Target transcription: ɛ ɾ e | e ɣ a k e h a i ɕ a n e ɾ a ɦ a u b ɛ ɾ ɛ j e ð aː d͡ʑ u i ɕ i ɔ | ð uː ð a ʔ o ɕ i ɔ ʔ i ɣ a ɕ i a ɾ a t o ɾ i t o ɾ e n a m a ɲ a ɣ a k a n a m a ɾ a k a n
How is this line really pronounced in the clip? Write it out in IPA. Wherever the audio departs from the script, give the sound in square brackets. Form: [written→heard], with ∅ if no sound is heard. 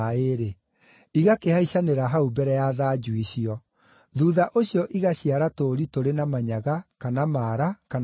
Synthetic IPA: [ɛ→e] ɾ e | [e→i] ɣ a k e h a i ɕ a n e ɾ a ɦ a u b ɛ ɾ ɛ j [e→a] ð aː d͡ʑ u i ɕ i ɔ | ð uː ð a ʔ o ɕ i ɔ ʔ i ɣ a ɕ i a ɾ a t o ɾ i t o ɾ e n a m a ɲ a ɣ a k a n a m a ɾ a k a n